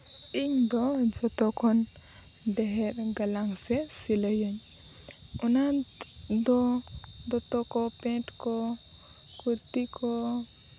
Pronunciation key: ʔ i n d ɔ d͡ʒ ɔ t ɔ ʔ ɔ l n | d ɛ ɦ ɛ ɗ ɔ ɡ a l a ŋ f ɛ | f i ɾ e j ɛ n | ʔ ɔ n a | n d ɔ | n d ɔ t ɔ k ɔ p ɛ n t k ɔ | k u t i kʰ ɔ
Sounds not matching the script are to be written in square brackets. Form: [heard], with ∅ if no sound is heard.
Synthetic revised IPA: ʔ i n d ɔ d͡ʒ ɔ t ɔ [k] ɔ [∅] n | d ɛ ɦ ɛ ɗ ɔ ɡ a l a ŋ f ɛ | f i [l] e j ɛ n | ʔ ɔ n a | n d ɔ | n d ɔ t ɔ k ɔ p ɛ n t k ɔ | k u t i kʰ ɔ